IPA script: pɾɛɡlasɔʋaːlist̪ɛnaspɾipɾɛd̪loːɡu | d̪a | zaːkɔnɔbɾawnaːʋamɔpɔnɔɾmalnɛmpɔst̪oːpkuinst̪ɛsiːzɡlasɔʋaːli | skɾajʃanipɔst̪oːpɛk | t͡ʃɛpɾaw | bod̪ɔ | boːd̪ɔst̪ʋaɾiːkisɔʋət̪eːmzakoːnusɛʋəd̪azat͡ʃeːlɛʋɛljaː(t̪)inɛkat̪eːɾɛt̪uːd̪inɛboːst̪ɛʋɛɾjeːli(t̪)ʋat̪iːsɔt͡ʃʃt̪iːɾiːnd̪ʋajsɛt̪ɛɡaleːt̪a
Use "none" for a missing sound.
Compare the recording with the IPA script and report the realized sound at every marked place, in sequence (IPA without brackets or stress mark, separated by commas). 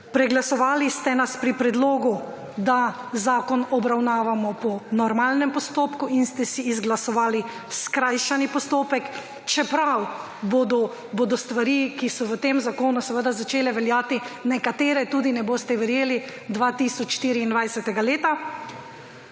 t̪, d̪